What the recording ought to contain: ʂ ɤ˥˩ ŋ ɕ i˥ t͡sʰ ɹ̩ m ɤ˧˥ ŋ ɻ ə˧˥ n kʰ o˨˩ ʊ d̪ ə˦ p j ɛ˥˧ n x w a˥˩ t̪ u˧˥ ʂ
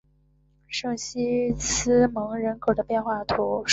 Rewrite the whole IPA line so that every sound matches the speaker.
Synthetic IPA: ʂ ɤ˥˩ ŋ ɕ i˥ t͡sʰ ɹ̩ m ɤ˧˥ ŋ ɻ ə˧˥ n kʰ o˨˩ ʊ d̪ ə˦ p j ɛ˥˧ n x w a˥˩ t̪ʰ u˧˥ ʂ